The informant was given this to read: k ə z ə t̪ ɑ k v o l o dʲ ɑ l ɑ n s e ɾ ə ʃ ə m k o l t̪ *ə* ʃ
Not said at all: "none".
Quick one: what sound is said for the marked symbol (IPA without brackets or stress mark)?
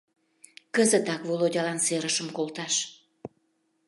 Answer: ɑ